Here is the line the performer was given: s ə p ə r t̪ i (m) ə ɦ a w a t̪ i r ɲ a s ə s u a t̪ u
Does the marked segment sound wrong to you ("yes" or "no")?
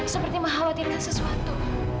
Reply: no